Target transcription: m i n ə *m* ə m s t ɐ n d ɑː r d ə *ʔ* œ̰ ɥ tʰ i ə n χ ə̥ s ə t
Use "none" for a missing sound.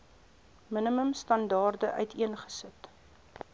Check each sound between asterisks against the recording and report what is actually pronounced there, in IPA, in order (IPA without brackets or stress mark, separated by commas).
m, ʔ